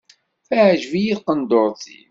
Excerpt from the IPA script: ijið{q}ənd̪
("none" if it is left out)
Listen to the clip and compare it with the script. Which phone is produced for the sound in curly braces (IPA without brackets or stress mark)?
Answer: q